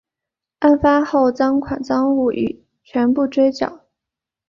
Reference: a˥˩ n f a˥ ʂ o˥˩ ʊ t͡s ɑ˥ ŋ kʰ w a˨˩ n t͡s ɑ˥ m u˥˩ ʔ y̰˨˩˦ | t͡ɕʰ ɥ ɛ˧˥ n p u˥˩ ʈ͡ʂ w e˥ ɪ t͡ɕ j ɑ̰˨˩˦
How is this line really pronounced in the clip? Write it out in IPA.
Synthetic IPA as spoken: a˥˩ n f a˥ x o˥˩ ʊ t͡s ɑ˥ ŋ kʰ w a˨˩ n t͡s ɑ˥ ŋ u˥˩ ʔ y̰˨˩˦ | t͡ɕʰ ɥ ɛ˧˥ n p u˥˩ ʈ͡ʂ w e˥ ɪ t͡ɕ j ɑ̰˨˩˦